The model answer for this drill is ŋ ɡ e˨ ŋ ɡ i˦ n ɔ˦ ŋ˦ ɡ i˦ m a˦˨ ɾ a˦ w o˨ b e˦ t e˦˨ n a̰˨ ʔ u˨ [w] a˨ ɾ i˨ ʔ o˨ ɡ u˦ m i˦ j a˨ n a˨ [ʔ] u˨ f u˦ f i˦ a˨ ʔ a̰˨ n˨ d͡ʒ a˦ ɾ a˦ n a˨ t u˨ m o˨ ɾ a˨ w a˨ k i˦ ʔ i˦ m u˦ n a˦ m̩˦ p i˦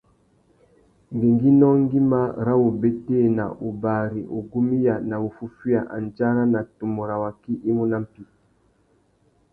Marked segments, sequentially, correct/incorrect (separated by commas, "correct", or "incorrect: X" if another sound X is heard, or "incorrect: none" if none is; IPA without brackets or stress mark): incorrect: b, incorrect: none